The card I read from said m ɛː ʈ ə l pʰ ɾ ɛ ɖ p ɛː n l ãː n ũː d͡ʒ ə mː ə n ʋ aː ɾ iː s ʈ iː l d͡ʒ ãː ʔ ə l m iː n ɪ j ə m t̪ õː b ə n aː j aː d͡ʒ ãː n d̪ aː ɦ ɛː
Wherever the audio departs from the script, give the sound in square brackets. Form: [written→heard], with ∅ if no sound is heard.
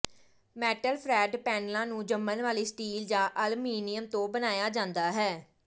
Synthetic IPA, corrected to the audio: m ɛː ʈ ə l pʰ ɾ [ɛ→ɛː] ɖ p ɛː n l ãː n ũː d͡ʒ ə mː ə n ʋ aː [ɾ→l] iː s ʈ iː l d͡ʒ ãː ʔ ə l m iː n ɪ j ə m t̪ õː b ə n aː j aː d͡ʒ ãː n d̪ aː ɦ ɛː